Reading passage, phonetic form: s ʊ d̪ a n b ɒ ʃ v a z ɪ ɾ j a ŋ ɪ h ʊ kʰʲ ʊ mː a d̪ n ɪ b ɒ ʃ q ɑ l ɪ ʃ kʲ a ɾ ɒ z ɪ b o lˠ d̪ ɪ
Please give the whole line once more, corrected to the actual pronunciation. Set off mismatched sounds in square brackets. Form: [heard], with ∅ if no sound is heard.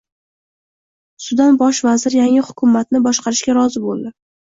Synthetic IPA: s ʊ d̪ a n b ɒ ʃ v a z ɪ ɾ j a ŋ ɪ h ʊ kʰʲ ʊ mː a [t̪] n ɪ b ɒ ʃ q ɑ [ɾ] ɪ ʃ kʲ a ɾ ɒ z ɪ b o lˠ d̪ ɪ